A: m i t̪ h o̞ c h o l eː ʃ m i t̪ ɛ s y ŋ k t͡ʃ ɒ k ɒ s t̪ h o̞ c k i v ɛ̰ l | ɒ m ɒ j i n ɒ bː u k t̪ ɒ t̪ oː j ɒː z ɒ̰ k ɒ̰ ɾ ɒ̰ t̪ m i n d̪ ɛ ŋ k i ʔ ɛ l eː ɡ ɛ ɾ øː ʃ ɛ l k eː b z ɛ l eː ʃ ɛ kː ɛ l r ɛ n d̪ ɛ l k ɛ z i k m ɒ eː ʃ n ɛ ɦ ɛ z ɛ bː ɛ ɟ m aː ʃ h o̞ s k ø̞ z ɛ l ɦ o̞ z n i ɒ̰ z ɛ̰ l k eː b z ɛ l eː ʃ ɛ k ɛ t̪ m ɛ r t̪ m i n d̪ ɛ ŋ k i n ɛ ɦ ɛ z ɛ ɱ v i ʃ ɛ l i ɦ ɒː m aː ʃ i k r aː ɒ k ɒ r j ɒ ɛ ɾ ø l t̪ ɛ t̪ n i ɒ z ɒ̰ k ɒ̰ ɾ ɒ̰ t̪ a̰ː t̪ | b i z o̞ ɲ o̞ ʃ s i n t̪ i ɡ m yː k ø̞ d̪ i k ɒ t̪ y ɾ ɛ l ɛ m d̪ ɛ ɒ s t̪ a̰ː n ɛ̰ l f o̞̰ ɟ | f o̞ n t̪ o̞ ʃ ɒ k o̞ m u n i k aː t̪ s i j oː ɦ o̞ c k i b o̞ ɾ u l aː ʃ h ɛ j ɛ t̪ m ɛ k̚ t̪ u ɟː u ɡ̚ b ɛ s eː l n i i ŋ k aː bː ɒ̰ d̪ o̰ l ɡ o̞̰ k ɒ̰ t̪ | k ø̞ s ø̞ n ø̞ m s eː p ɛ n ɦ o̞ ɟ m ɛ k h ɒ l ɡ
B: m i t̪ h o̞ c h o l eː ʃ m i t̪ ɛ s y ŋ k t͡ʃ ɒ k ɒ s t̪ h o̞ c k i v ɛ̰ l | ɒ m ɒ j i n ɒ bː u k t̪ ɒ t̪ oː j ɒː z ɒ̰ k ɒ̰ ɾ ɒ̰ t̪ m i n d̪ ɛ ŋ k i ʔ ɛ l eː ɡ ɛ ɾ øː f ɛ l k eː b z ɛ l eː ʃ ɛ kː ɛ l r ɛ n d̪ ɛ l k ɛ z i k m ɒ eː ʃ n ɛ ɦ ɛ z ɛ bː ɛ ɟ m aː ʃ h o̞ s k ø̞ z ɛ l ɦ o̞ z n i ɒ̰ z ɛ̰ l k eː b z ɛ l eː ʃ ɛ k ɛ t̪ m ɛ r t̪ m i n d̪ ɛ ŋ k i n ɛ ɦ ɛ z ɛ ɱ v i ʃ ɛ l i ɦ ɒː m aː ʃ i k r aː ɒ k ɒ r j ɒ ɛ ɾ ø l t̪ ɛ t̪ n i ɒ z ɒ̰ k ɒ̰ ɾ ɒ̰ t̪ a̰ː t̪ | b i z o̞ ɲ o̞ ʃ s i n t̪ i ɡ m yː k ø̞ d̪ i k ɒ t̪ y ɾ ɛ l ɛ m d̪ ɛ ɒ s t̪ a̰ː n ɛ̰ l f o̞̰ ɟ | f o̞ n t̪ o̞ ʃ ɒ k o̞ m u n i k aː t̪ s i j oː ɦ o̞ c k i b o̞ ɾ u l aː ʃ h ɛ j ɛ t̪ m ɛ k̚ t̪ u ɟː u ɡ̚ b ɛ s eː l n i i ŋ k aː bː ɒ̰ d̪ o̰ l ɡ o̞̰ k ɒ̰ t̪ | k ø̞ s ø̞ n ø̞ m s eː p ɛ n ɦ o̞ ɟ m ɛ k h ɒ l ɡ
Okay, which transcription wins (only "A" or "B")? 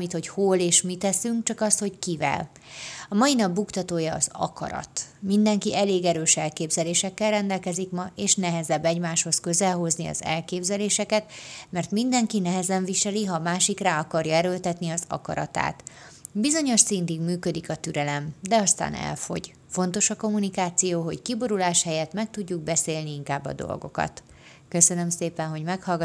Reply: A